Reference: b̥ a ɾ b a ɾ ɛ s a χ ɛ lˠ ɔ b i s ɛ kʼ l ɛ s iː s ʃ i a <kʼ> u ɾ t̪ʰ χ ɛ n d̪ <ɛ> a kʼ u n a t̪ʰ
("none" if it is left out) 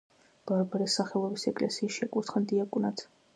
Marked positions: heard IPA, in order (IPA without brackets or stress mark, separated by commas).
kʼ, i